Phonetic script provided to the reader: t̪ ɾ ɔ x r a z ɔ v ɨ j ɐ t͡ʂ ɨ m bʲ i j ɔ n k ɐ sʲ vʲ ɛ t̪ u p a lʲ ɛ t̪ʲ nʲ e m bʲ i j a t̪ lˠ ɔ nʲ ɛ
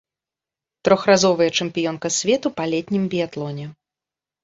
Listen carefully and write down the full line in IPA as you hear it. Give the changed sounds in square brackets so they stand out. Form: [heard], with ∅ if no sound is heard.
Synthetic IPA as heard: t̪ ɾ ɔ x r a z ɔ v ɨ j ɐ t͡ʂ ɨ m [pʲ] i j ɔ n k ɐ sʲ vʲ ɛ t̪ u p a lʲ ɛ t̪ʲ nʲ [i] m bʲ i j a t̪ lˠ ɔ nʲ ɛ